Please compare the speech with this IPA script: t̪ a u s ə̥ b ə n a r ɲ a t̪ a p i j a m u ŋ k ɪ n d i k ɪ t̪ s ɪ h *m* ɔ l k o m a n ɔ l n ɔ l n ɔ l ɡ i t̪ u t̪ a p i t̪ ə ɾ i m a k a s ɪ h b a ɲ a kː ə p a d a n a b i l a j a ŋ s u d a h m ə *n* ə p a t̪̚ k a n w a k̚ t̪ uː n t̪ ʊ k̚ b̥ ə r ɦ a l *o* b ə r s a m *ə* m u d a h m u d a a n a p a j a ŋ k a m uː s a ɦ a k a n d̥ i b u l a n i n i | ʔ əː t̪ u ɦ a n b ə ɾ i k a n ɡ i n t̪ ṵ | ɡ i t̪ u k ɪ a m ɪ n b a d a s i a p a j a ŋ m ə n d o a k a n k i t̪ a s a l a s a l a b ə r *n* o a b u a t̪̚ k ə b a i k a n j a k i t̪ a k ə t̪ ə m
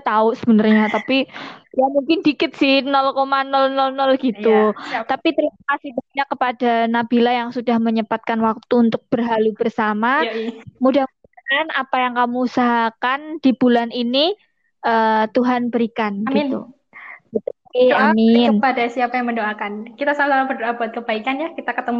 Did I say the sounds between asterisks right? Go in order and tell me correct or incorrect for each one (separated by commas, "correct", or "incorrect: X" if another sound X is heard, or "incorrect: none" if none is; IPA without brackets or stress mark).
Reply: incorrect: n, incorrect: ɲ, incorrect: u, incorrect: a, incorrect: d